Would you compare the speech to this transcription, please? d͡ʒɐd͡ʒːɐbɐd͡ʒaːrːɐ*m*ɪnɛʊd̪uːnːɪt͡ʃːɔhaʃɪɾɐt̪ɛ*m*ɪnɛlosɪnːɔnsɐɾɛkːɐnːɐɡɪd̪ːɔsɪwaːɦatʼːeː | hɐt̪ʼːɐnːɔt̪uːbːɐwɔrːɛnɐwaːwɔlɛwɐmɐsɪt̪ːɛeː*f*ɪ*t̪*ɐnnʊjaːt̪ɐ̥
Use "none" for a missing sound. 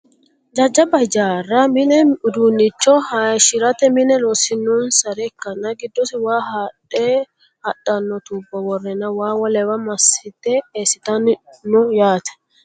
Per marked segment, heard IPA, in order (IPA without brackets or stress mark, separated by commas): m, m, s, t̪